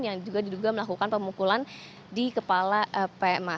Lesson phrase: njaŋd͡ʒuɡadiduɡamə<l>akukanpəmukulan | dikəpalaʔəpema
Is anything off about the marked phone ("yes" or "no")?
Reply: no